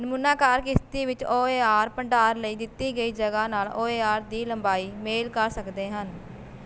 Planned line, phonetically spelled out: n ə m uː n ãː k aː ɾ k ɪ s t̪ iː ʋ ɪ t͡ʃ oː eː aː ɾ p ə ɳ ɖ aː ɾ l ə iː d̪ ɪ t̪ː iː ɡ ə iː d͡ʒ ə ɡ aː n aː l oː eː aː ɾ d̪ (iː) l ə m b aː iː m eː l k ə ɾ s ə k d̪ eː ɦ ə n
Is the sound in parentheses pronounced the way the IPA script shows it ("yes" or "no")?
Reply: yes